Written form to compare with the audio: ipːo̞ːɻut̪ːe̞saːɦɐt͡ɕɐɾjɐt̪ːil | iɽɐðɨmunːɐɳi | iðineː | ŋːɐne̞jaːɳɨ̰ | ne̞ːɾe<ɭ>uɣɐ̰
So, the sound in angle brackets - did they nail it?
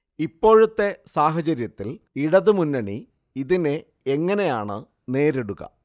no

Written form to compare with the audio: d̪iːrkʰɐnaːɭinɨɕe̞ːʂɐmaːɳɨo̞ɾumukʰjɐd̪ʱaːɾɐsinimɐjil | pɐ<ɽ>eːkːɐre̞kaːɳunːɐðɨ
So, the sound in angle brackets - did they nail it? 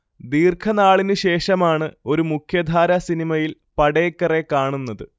yes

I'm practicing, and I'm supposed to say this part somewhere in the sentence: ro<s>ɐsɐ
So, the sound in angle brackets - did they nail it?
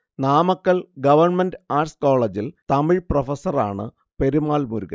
no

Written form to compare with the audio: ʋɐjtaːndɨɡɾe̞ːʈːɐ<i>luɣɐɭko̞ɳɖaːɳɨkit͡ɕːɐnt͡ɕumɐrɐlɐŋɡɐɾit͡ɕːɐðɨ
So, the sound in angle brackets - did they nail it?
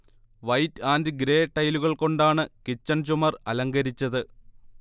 no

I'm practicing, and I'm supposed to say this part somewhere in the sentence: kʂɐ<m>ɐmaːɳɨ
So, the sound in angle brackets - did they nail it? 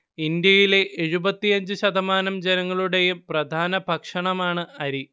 no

